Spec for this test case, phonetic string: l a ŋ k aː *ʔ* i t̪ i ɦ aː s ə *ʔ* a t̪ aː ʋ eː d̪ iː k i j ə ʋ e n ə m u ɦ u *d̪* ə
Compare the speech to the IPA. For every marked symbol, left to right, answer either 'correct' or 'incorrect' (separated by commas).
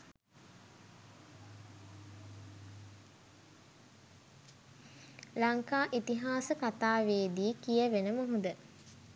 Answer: correct, incorrect, correct